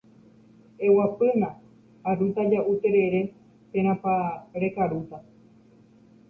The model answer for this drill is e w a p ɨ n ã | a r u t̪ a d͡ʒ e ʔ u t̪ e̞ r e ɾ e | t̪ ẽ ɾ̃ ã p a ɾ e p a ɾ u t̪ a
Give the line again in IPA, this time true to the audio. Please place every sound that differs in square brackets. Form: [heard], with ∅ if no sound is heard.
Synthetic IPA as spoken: e w a p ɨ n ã | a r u t̪ a d͡ʒ [a] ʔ u t̪ e̞ [ɾ] e ɾ e | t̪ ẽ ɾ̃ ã p a ɾ e [k] a ɾ u t̪ a